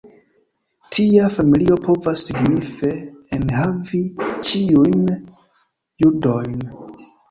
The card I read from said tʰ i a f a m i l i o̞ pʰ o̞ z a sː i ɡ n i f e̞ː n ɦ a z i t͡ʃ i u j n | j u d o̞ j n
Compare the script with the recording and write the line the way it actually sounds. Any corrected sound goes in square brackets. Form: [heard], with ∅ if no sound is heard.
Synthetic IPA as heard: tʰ i a f a m i l i o̞ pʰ o̞ [v] a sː i ɡ n i f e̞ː n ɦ a [v] i t͡ʃ i u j n | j u d o̞ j n